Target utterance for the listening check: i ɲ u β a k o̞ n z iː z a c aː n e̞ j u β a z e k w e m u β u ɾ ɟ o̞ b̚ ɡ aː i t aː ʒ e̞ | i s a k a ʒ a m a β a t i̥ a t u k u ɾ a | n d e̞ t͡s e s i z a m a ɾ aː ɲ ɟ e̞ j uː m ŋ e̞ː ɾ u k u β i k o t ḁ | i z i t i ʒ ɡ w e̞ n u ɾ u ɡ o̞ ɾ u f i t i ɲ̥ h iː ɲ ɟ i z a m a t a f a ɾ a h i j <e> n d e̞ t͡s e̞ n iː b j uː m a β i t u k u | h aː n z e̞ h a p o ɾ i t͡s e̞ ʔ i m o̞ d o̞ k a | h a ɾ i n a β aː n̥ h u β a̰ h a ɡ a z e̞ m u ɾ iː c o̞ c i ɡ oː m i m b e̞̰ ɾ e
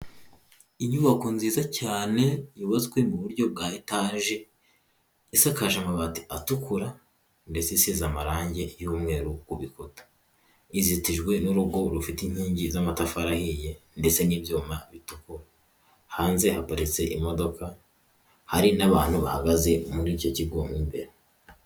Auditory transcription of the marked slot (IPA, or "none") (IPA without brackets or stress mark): e